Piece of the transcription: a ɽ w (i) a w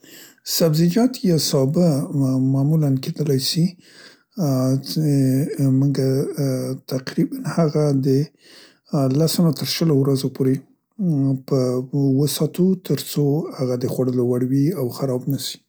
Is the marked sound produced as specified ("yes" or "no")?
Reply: yes